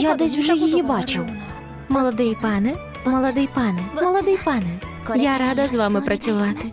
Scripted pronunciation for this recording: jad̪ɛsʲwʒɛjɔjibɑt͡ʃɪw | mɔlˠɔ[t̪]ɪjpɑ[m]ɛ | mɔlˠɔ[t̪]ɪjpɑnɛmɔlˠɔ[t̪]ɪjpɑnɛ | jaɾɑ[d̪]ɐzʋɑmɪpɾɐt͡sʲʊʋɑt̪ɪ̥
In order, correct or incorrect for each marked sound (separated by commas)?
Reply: incorrect, incorrect, incorrect, incorrect, correct